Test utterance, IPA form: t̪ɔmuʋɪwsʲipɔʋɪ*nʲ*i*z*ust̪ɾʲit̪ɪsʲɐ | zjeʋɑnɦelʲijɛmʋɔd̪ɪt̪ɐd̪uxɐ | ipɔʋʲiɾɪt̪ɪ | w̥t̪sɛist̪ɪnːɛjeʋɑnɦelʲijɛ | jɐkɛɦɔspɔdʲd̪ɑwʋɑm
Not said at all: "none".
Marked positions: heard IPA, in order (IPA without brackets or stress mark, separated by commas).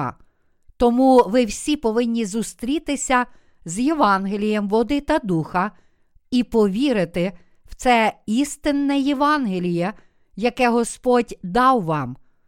nʲː, z